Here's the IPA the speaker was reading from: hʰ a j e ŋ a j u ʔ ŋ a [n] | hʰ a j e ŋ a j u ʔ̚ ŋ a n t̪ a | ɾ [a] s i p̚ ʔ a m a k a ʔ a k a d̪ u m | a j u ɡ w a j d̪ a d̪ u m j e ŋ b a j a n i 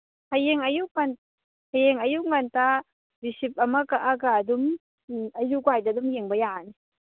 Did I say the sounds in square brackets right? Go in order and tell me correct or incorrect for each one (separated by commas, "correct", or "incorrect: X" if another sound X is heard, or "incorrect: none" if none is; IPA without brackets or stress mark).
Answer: correct, incorrect: i